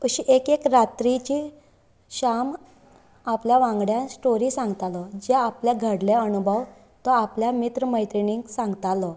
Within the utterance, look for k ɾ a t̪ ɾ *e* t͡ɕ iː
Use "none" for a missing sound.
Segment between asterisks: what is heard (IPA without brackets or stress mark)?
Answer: i